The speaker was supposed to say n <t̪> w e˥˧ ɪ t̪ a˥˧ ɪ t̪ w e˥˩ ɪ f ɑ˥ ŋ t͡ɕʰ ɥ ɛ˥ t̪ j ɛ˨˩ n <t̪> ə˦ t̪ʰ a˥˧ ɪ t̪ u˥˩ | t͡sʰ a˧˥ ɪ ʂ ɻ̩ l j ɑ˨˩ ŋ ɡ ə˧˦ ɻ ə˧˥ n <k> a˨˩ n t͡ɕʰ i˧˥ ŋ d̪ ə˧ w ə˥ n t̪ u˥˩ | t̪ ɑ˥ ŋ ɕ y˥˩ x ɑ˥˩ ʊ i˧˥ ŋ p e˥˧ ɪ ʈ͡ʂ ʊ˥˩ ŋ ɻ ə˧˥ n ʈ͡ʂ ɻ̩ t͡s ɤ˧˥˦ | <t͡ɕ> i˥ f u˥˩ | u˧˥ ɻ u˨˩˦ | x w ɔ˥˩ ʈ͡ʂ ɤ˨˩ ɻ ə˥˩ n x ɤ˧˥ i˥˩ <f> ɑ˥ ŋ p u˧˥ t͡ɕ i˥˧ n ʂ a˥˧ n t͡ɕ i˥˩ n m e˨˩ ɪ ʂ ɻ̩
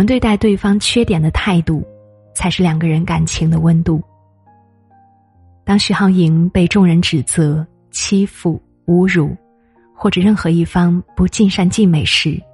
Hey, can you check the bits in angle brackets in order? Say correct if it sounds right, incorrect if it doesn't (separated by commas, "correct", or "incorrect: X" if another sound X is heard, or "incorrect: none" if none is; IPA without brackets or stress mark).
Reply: correct, incorrect: d̪, correct, incorrect: t͡ɕʰ, correct